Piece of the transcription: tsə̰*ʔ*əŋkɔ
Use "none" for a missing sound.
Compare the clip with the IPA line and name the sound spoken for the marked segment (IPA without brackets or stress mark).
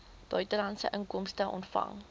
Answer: ʔ